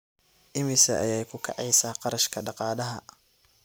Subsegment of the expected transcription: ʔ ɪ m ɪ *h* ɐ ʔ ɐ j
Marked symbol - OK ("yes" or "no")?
no